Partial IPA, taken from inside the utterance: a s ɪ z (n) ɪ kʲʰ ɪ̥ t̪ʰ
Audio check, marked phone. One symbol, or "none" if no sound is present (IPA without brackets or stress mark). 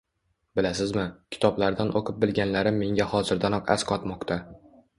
m